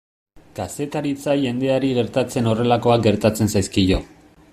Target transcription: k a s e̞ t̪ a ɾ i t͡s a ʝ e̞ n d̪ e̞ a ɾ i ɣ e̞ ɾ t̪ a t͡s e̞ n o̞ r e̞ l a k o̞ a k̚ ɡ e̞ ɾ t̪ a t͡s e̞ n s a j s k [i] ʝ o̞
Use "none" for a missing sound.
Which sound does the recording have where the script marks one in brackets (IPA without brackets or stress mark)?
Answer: i